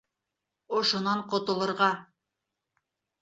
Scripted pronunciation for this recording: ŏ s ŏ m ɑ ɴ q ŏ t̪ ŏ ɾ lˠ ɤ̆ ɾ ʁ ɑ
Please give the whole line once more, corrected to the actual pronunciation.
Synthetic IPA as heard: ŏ ʃ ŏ n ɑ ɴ q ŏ t̪ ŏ lˠ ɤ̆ ɾ ʁ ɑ